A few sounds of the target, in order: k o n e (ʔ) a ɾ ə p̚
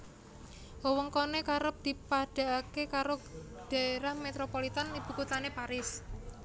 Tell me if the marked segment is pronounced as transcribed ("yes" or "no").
no